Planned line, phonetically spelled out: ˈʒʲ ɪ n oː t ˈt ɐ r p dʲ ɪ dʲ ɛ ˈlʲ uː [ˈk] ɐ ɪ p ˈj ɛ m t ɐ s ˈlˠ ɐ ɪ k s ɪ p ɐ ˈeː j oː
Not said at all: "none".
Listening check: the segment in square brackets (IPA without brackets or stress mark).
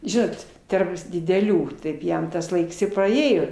t